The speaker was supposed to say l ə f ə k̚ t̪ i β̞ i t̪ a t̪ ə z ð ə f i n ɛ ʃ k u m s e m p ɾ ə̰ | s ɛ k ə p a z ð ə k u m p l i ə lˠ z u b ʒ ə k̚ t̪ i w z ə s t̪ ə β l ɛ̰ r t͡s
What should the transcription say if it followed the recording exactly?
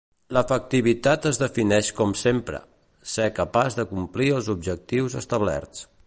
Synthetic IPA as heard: l ə f ə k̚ t̪ i β̞ i t̪ a t̪ ə z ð ə f i n ɛ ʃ k ɔ m s e m p ɾ ə̰ | s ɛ k ə p a z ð ə k u m p l i ə lˠ z u b ʒ ə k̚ t̪ i w z ə s t̪ ə β l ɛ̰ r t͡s